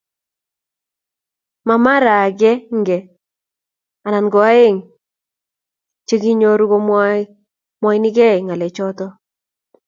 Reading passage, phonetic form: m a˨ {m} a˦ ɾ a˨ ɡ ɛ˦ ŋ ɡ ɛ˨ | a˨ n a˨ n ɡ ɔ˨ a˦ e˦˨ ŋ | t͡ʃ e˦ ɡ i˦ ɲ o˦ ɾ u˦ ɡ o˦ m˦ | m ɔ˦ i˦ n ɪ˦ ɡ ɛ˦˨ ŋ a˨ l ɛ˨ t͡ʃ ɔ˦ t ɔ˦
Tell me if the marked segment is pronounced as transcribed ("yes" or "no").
yes